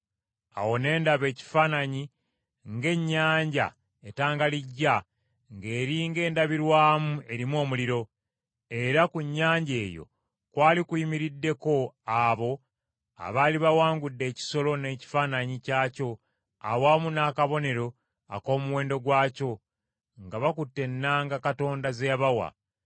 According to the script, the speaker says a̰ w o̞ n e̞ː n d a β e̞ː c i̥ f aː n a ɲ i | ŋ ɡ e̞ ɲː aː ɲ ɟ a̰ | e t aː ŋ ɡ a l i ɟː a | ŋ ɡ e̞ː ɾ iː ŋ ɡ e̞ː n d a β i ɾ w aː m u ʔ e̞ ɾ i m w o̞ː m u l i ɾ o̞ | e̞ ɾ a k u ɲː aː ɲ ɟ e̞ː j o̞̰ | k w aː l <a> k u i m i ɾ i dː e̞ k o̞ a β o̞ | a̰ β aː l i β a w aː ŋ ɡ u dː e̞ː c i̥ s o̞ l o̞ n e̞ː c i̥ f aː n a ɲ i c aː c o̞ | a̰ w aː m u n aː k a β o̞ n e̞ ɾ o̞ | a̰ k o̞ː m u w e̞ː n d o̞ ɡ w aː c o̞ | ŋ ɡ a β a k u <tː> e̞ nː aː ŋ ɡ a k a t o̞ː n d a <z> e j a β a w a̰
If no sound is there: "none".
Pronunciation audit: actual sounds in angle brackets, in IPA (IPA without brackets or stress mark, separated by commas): i, tː, z